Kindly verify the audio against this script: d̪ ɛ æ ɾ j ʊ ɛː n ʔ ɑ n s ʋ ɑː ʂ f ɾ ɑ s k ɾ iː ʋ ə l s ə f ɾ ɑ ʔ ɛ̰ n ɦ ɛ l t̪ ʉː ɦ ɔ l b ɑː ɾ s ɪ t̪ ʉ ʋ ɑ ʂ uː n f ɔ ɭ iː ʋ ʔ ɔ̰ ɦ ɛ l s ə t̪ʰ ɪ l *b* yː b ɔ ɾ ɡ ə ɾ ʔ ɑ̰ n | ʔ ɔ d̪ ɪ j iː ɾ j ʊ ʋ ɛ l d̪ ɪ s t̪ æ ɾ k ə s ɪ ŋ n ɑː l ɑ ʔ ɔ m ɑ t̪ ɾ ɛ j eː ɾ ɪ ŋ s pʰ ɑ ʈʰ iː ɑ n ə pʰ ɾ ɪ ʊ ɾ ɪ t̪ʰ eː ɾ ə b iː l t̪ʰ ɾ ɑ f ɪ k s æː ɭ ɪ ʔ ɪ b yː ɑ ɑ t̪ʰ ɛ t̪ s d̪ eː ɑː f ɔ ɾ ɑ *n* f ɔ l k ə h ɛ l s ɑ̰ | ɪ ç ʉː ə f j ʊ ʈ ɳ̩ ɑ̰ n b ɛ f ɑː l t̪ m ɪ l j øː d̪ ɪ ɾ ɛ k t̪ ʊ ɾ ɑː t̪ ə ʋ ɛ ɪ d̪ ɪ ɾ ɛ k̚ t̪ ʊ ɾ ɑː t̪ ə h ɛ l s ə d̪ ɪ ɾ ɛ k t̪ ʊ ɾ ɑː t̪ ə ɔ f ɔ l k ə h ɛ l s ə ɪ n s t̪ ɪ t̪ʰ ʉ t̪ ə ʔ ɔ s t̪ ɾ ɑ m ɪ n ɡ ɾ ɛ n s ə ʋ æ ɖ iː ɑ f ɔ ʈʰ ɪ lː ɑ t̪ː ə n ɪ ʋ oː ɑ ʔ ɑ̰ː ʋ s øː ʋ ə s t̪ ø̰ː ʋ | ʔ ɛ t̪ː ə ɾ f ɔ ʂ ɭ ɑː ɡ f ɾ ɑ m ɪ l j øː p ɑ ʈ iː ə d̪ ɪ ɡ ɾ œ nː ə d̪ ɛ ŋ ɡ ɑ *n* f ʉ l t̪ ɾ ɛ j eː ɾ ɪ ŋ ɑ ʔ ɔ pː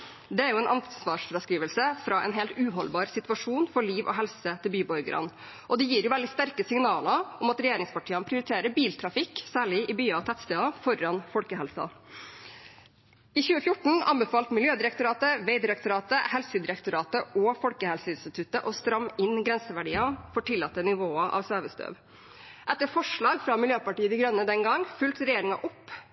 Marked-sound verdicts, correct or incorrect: correct, correct, incorrect

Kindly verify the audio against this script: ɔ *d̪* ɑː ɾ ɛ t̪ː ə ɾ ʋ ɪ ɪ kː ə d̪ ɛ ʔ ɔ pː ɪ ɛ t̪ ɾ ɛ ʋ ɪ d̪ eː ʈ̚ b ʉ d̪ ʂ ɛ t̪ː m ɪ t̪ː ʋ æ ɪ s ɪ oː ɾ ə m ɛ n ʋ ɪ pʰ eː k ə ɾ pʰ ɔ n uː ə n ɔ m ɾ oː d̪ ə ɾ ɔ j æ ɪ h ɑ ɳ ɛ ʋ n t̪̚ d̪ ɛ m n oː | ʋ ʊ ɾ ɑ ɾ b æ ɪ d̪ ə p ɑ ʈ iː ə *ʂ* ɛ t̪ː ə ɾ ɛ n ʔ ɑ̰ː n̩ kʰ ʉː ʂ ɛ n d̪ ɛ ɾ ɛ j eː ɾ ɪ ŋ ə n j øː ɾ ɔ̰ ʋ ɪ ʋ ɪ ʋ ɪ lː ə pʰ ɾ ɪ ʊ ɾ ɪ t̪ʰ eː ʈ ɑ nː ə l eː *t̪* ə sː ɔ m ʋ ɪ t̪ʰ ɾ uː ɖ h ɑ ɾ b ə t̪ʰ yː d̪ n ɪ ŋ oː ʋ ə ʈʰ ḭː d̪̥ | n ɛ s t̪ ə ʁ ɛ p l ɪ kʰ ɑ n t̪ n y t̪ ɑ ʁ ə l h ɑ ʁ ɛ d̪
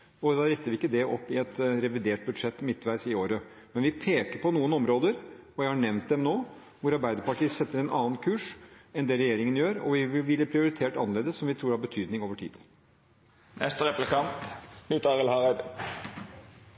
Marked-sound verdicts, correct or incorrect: correct, incorrect, incorrect

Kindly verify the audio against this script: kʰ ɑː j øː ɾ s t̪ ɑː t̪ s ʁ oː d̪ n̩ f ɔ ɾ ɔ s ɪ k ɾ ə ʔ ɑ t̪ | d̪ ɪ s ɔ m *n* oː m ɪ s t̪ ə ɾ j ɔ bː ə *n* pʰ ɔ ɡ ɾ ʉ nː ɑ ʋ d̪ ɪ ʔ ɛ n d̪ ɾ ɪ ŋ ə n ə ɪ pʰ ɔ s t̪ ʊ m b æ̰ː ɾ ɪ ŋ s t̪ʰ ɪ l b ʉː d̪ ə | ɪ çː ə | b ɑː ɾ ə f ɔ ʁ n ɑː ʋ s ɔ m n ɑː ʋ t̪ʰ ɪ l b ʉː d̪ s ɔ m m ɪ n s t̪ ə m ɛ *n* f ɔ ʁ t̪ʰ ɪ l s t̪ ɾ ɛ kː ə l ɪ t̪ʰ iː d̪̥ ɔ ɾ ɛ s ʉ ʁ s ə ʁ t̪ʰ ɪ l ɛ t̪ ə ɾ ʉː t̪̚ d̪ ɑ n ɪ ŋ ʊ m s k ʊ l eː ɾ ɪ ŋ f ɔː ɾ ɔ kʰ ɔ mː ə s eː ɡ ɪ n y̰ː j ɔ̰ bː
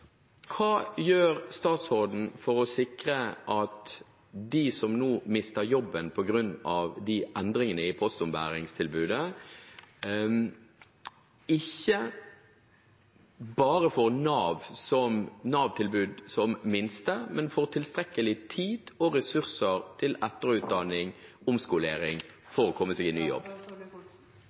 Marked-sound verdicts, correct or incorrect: correct, correct, correct

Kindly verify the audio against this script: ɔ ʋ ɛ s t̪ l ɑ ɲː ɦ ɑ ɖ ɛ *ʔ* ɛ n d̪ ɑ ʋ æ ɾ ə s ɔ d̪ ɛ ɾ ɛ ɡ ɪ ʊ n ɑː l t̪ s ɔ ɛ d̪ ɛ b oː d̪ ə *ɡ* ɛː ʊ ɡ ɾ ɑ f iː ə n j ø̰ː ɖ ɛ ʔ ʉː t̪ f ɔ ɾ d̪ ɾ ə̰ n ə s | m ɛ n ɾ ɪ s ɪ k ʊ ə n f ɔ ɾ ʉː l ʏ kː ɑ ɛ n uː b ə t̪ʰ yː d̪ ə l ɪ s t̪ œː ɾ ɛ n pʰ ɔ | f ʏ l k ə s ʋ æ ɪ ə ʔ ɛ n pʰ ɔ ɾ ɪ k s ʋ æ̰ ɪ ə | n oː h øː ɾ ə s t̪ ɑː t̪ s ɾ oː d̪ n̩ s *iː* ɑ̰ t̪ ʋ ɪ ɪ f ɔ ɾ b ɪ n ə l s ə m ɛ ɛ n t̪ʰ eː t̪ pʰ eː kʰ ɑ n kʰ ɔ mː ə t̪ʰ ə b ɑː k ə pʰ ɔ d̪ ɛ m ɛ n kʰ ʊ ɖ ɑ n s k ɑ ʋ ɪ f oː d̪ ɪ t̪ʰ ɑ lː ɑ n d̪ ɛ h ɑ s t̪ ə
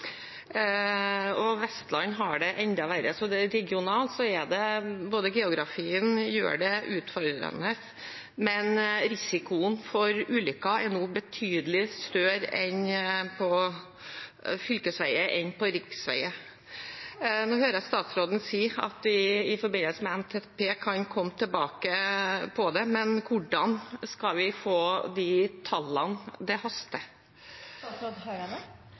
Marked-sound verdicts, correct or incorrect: correct, correct, correct

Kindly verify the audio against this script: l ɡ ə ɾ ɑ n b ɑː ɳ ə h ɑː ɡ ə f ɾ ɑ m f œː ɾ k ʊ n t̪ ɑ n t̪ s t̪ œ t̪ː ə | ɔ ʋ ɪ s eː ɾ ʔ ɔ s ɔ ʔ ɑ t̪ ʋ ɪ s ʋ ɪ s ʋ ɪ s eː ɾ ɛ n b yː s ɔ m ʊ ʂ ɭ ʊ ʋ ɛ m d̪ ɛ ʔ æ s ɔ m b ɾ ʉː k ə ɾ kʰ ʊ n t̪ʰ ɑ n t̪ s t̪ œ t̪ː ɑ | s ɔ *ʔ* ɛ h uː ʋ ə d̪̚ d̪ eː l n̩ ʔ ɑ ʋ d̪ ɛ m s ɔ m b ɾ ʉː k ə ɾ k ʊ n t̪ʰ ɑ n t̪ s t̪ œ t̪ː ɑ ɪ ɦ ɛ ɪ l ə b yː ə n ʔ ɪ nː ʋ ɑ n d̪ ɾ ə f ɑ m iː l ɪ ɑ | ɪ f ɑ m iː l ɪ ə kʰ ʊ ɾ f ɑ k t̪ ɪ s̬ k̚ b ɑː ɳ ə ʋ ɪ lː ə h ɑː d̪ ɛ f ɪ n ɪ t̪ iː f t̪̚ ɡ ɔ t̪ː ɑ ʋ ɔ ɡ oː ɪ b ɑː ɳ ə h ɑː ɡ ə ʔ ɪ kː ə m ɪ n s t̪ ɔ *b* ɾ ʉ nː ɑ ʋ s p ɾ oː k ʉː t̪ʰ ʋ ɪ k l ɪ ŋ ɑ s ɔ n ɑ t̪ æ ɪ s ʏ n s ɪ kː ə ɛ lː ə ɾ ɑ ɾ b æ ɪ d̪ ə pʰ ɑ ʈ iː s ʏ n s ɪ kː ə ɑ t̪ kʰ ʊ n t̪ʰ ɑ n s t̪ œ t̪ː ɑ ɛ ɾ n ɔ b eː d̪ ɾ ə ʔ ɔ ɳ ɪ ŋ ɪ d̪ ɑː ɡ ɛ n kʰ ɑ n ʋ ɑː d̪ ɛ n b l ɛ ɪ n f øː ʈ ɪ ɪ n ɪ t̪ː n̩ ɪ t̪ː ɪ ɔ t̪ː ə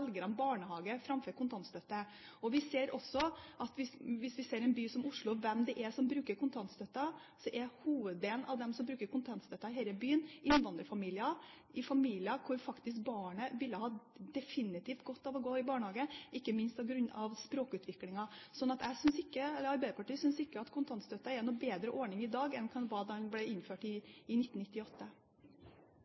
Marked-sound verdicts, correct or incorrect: correct, incorrect

